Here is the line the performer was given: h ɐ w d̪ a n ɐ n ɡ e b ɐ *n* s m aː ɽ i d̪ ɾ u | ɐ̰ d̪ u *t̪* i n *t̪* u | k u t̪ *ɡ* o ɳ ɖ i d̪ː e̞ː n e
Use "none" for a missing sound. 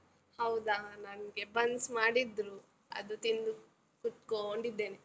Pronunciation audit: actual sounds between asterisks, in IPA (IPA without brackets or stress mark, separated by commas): n, t̪, d̪, k